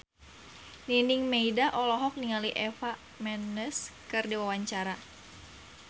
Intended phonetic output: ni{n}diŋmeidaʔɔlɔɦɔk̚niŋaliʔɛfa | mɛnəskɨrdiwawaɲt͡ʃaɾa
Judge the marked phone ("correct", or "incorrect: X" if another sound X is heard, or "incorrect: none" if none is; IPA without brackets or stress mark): correct